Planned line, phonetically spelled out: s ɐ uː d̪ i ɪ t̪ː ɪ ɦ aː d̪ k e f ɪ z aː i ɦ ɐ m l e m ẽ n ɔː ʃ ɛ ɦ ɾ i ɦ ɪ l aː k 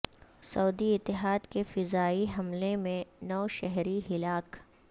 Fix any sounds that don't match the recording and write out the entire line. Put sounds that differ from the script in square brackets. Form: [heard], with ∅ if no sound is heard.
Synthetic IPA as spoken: s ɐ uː d̪ i ɪ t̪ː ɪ ɦ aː d̪ k e f ɪ z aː i ɦ ɐ m l e m ẽ n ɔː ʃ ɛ ɦ ɾ i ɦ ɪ l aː k